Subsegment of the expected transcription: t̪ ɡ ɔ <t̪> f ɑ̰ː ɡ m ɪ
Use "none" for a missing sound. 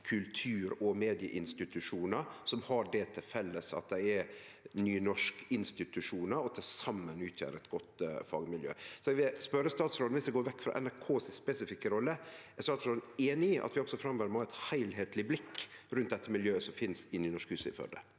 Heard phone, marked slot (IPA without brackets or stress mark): t̪